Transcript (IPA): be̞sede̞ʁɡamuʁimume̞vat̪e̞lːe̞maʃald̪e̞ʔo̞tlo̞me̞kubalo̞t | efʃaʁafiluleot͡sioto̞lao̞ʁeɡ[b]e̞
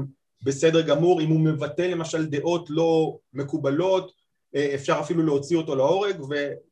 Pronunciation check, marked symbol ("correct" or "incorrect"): incorrect